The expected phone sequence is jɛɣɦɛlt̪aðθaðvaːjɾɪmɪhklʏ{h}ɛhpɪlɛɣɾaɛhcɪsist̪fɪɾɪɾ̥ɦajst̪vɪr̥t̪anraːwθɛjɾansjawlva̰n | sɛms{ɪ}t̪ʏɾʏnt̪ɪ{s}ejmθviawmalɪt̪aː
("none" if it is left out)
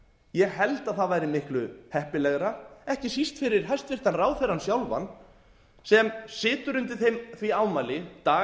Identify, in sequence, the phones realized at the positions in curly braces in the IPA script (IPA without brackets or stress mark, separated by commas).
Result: h, ɪː, θ